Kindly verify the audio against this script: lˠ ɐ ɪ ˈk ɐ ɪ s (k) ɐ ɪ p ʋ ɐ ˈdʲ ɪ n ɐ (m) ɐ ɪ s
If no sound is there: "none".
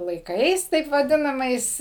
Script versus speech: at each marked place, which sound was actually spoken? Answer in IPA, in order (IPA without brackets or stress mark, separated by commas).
t, m